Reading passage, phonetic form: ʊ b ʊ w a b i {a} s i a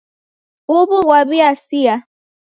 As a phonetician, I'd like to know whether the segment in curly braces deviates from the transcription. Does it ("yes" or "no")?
no